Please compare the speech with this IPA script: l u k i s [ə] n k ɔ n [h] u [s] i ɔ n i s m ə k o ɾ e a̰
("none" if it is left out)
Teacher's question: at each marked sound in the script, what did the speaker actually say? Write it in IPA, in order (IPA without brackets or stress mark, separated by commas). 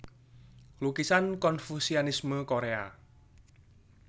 a, f, s